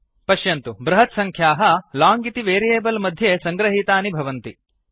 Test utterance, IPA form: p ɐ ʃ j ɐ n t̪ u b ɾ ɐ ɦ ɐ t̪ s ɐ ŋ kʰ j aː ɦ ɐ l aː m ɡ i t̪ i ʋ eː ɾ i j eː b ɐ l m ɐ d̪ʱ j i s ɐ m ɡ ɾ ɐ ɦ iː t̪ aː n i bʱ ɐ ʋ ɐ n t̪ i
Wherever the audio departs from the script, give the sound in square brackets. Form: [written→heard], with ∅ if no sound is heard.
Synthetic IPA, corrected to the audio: p ɐ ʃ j ɐ n t̪ u b ɾ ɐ ɦ ɐ t̪ s ɐ ŋ kʰ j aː ɦ ɐ l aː [m→ŋ] ɡ i t̪ i ʋ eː ɾ i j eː b ɐ l m ɐ d̪ʱ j [i→e] s ɐ [m→ŋ] ɡ ɾ ɐ ɦ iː t̪ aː n i bʱ ɐ ʋ ɐ n t̪ i

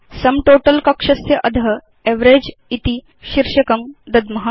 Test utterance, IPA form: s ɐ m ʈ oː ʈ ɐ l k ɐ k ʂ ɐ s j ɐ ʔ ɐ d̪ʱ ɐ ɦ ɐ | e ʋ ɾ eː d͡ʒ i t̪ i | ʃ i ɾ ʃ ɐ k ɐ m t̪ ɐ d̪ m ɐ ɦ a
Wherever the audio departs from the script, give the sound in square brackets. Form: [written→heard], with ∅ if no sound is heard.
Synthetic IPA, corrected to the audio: s ɐ m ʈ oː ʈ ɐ l k ɐ k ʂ ɐ s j ɐ ʔ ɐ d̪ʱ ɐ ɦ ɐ | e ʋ ɾ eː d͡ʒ i t̪ i | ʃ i ɾ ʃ ɐ k ɐ m [t̪→d̪] ɐ d̪ m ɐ ɦ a

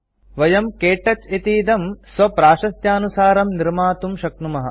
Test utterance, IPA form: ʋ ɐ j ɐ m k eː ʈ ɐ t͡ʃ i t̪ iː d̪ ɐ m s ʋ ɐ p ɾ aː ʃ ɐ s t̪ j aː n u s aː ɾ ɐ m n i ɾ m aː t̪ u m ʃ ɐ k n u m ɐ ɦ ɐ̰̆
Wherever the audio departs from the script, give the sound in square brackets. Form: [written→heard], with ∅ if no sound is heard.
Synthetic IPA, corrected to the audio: ʋ ɐ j ɐ m k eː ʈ ɐ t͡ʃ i t̪ iː d̪ ɐ m s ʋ ɐ p ɾ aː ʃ ɐ s t̪ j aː n u s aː ɾ ɐ m n i ɾ m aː t̪ u m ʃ ɐ k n u m ɐ ɦ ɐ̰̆

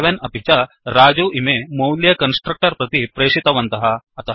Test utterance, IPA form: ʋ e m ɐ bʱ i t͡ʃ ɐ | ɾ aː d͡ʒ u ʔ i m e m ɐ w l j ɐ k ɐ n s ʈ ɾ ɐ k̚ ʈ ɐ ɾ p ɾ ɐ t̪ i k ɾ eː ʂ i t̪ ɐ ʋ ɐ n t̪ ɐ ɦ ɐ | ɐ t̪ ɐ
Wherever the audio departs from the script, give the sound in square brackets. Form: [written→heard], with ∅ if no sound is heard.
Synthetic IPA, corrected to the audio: ʋ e [m→n] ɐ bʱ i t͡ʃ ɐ | ɾ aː d͡ʒ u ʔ i m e m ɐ w l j ɐ k ɐ n s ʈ ɾ ɐ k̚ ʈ ɐ ɾ p ɾ ɐ t̪ i [k→p] ɾ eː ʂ i t̪ ɐ ʋ ɐ n t̪ ɐ ɦ ɐ | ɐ t̪ ɐ

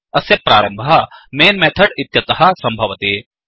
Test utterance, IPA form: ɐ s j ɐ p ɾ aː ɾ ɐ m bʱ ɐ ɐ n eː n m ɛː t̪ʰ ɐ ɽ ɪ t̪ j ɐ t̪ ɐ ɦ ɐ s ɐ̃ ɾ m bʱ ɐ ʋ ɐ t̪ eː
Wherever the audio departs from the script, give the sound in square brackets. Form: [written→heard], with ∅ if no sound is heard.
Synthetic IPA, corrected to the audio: ɐ s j ɐ p ɾ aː ɾ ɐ m bʱ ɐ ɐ [n→m] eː n m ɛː t̪ʰ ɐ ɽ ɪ t̪ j ɐ t̪ ɐ ɦ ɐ s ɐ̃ [ɾ→∅] m bʱ ɐ ʋ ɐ t̪ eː

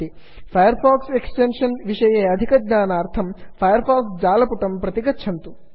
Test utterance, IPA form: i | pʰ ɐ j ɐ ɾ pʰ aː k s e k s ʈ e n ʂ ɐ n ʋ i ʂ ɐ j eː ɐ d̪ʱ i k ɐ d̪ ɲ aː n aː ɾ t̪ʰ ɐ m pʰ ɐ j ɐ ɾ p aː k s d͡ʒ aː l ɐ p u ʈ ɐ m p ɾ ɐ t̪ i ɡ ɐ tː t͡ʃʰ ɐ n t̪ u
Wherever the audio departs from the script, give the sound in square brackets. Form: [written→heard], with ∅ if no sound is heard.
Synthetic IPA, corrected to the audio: i | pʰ ɐ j ɐ ɾ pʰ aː k s e k s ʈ e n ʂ ɐ n ʋ i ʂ ɐ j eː ɐ d̪ʱ i k ɐ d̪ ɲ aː n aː ɾ t̪ʰ ɐ m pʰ ɐ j ɐ ɾ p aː k s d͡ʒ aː l ɐ p u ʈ ɐ m p ɾ ɐ t̪ i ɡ ɐ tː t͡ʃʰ ɐ n t̪ u

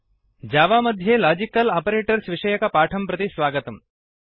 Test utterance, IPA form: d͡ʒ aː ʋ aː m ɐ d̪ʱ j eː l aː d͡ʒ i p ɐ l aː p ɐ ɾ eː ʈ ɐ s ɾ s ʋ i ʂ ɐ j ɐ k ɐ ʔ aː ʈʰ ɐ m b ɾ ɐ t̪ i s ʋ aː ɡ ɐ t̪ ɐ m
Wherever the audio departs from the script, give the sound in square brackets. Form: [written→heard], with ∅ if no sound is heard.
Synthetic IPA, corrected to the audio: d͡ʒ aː ʋ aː m ɐ d̪ʱ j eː l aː d͡ʒ i [p→k] ɐ l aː p ɐ ɾ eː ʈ ɐ [s→∅] ɾ s ʋ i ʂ ɐ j ɐ k ɐ [ʔ→p] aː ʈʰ ɐ m [b→p] ɾ ɐ t̪ i s ʋ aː ɡ ɐ t̪ ɐ m

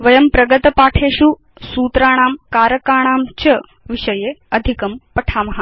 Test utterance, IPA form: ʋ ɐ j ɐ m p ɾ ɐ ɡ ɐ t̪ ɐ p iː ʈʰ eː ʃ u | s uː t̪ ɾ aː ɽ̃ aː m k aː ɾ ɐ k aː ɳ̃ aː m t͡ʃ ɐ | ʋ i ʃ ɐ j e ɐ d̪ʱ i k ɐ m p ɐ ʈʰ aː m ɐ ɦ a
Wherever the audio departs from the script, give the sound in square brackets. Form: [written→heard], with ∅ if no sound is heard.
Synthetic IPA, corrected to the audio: ʋ ɐ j ɐ m p ɾ ɐ ɡ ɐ t̪ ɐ p [iː→aː] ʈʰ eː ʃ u | s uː t̪ ɾ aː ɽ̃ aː m k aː ɾ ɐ k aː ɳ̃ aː m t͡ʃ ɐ | ʋ i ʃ ɐ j e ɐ d̪ʱ i k ɐ m p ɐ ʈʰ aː m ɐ ɦ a

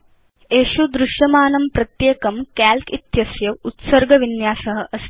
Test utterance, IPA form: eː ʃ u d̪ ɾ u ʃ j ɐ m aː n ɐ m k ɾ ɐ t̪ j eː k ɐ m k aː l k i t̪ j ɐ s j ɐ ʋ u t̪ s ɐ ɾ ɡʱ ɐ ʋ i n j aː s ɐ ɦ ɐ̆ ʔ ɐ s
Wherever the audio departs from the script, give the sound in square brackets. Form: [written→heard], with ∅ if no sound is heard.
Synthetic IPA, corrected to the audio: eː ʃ u d̪ ɾ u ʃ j ɐ m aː n ɐ m [k→p] ɾ ɐ t̪ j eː k ɐ m k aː l k i t̪ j ɐ s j ɐ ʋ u t̪ s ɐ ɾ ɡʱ ɐ ʋ i n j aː s ɐ ɦ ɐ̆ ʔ ɐ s

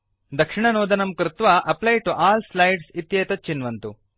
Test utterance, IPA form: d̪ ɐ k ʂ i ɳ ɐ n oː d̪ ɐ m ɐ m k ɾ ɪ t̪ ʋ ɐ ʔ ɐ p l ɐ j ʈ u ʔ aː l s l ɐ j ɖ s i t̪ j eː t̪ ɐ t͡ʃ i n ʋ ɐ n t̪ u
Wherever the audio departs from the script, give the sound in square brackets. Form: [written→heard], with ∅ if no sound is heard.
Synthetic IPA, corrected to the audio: d̪ ɐ k ʂ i ɳ ɐ n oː d̪ ɐ [m→n] ɐ m k ɾ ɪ t̪ ʋ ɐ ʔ ɐ p l ɐ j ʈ u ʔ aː l s l ɐ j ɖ s i t̪ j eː t̪ ɐ t͡ʃ i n ʋ ɐ n t̪ u

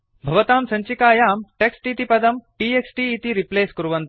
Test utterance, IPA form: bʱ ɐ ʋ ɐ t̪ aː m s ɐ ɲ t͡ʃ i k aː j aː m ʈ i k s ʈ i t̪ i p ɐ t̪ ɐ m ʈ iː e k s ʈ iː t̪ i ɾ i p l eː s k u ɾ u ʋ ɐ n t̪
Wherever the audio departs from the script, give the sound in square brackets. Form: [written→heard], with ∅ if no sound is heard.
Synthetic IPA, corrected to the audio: bʱ ɐ ʋ ɐ t̪ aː m s ɐ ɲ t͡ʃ i k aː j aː m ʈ [i→e] k s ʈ i t̪ i p ɐ [t̪→d̪] ɐ m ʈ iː e k s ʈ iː t̪ i ɾ i p l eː s k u ɾ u ʋ ɐ n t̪

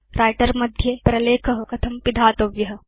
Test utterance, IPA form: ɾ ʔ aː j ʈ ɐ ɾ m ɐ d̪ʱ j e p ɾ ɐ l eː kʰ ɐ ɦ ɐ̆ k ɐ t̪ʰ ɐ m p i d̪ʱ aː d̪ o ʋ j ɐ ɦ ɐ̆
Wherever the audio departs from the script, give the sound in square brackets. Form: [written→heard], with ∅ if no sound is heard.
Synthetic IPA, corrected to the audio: ɾ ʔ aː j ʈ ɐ ɾ m ɐ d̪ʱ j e p ɾ ɐ l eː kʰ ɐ ɦ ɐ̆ k ɐ t̪ʰ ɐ m p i d̪ʱ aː [d̪→t̪] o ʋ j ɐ ɦ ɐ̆

